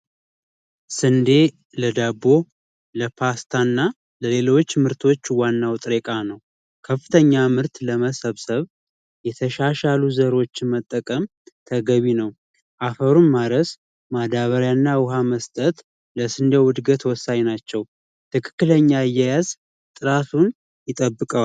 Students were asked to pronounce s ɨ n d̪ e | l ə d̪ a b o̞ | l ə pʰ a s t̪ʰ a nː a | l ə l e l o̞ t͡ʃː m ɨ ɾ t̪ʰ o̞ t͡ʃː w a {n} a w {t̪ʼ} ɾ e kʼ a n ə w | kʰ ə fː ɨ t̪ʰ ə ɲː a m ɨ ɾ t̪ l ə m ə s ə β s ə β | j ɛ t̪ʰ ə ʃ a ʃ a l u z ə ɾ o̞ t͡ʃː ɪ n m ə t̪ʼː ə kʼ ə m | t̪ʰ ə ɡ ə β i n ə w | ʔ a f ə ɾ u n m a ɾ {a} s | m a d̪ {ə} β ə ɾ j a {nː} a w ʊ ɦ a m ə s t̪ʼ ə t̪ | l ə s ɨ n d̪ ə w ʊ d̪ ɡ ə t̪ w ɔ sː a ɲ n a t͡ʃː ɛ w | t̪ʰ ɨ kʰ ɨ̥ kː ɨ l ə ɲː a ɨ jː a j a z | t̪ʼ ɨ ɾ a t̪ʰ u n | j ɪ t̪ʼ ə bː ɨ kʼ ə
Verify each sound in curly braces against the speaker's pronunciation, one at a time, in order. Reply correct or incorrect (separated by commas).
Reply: incorrect, correct, incorrect, incorrect, correct